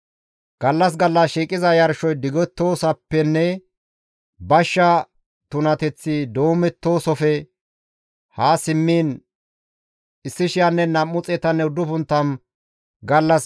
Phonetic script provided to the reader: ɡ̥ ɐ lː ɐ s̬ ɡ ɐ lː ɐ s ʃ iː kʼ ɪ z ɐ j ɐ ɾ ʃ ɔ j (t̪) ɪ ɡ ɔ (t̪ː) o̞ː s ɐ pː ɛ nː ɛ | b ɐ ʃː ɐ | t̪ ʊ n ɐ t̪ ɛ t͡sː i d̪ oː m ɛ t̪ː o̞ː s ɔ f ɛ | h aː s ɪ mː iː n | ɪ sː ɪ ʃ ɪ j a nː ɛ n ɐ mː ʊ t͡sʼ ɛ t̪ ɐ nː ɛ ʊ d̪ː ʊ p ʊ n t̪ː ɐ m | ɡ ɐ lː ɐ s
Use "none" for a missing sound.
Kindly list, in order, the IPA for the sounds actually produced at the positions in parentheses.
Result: d̪, t̪ː

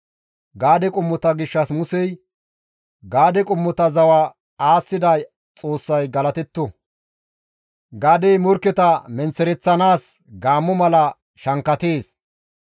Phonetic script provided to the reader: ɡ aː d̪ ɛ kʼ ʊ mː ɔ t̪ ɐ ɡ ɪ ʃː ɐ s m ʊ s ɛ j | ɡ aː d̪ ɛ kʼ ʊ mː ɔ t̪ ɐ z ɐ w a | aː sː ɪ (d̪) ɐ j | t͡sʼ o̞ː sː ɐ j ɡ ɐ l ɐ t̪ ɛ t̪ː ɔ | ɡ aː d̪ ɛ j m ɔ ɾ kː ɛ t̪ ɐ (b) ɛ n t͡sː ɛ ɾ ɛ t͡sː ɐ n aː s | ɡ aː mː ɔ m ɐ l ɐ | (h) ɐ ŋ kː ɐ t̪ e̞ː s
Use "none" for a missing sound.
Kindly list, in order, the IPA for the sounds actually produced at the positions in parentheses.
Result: d̪, m, ʃ

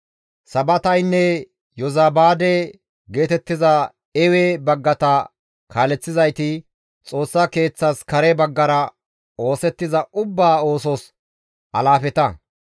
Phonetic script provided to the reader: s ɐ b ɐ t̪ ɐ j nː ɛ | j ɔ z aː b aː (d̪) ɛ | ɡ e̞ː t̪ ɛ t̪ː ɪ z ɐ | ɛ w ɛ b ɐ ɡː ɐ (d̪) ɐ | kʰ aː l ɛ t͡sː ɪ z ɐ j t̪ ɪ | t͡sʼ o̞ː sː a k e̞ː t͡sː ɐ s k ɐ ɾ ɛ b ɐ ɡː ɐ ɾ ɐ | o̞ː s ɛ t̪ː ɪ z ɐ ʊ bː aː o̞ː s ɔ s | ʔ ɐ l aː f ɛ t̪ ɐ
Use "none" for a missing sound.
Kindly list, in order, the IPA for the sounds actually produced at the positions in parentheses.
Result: d̪, t̪

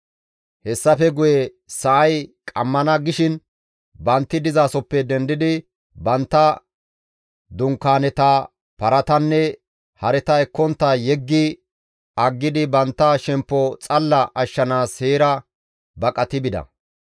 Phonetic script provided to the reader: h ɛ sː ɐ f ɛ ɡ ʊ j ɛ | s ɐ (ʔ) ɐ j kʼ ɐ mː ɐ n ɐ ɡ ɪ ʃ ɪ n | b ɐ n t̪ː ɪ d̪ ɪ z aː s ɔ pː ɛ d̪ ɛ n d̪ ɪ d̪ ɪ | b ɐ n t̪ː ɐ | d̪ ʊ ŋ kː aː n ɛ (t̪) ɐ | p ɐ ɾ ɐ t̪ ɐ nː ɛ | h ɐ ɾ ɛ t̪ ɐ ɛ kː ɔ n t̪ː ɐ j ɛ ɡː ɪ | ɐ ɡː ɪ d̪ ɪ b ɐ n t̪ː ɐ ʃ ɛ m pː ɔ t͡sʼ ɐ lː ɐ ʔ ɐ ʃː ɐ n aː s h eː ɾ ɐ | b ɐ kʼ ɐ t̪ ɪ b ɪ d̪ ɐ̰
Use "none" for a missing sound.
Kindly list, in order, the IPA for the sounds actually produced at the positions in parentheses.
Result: ʔ, t̪

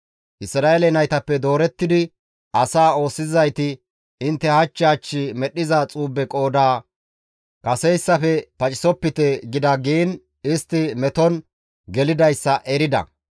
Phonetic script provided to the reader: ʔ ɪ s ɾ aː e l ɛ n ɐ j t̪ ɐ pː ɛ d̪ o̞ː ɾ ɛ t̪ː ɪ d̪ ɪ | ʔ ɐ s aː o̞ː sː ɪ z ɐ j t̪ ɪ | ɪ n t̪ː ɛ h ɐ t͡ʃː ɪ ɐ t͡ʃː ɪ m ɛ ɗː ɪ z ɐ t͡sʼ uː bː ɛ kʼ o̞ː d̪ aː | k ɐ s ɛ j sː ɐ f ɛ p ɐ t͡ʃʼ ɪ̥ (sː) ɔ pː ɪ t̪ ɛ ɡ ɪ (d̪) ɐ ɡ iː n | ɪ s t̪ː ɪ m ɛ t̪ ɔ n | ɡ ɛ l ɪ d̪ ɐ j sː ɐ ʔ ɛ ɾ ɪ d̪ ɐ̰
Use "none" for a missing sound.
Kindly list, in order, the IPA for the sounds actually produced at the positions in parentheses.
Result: s, d̪

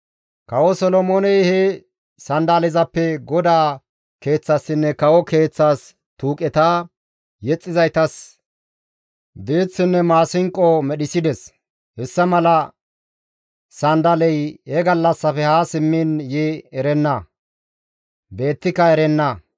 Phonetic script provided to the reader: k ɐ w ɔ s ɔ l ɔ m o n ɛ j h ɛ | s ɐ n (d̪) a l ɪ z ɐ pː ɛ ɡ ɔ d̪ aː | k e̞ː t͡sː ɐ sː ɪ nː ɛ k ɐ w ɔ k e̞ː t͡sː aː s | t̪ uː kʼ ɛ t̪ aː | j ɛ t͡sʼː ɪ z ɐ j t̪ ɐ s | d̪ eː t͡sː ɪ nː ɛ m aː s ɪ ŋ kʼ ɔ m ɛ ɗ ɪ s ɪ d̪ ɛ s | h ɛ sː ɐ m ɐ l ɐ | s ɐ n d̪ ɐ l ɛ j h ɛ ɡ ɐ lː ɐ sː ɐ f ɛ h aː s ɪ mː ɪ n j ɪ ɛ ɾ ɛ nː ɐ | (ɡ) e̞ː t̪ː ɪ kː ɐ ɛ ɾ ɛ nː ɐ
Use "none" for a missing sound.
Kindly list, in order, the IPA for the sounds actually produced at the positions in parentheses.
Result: d̪, b

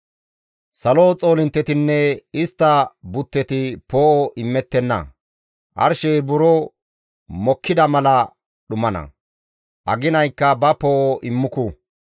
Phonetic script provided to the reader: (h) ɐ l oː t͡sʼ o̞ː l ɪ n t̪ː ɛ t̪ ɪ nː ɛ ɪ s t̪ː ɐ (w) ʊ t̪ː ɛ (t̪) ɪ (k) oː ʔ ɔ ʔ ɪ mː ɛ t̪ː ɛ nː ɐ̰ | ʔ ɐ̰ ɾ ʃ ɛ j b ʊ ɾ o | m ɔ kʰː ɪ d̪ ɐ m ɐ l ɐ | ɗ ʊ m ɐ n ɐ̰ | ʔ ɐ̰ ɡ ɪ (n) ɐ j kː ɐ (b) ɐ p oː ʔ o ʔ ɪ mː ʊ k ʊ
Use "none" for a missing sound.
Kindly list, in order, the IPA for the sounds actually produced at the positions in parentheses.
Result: s, b, t̪, p, n, b

